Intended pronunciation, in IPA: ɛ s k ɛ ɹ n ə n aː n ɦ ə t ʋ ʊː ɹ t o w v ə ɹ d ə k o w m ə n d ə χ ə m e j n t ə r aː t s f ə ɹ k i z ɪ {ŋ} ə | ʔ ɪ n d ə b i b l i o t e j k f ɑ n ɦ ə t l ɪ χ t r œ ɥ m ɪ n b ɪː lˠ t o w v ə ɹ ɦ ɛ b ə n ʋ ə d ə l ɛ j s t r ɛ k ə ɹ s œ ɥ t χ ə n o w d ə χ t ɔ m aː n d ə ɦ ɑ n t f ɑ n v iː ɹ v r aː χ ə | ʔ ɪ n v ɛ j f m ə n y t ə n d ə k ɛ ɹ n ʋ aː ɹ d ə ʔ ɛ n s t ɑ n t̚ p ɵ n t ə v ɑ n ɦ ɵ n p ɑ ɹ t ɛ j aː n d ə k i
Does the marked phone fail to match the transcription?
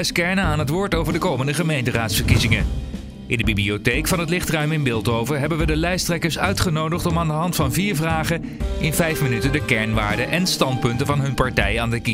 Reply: no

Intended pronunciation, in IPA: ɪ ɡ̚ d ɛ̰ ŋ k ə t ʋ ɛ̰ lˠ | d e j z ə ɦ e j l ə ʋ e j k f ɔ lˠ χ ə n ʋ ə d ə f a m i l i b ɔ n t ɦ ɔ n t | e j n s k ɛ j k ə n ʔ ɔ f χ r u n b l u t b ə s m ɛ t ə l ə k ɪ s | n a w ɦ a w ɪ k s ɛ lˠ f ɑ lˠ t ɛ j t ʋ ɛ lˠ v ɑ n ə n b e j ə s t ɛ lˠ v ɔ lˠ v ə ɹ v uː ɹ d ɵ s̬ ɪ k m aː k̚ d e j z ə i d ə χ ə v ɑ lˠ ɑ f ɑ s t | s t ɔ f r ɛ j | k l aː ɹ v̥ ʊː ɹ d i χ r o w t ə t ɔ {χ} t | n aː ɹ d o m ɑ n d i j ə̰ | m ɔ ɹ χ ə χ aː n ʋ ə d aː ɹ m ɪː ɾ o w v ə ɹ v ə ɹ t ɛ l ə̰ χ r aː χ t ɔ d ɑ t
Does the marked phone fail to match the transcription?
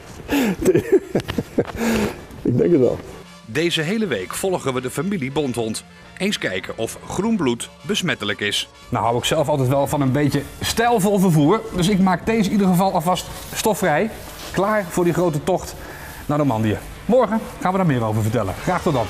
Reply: no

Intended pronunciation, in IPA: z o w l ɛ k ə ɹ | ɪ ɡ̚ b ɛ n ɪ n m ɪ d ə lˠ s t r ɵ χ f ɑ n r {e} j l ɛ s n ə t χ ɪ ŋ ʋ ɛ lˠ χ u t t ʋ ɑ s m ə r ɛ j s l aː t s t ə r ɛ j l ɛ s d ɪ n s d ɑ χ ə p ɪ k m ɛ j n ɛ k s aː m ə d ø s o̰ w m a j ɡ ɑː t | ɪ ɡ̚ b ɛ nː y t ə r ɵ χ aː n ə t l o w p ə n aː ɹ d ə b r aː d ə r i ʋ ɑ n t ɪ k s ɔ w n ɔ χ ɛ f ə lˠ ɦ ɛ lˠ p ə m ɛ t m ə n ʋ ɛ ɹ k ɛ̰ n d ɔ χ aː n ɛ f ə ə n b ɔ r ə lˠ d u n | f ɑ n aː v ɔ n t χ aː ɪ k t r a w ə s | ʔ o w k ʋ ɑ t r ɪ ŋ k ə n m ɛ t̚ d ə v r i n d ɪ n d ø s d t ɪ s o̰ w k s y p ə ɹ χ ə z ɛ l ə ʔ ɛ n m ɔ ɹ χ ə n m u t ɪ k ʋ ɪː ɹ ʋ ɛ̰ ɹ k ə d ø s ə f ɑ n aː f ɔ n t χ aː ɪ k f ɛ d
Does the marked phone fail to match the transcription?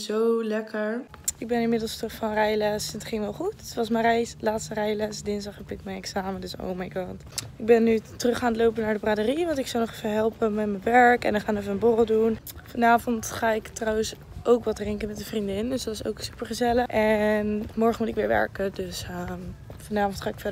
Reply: yes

